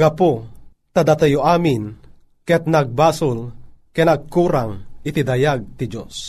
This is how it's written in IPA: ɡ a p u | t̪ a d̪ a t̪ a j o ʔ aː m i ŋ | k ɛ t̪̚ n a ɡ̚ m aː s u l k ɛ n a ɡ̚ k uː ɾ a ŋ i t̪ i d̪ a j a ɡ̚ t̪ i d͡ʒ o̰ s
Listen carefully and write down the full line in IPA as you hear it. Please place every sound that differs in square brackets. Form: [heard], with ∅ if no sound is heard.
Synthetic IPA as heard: ɡ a p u | t̪ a d̪ a t̪ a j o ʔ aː m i [n] | k ɛ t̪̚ n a ɡ̚ [b] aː s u l k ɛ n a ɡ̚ k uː ɾ a ŋ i t̪ i d̪ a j a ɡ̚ t̪ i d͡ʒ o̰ s